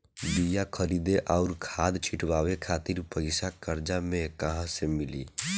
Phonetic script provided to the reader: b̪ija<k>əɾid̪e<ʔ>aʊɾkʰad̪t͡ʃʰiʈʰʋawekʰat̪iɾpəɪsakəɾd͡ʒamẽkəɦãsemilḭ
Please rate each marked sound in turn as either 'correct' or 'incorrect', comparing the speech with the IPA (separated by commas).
incorrect, correct